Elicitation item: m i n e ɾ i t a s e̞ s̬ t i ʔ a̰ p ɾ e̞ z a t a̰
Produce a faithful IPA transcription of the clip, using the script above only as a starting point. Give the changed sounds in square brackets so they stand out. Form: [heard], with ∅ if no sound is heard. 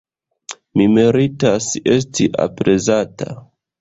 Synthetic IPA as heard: m i [m] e ɾ i t a s e̞ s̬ t i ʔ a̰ p ɾ e̞ z a t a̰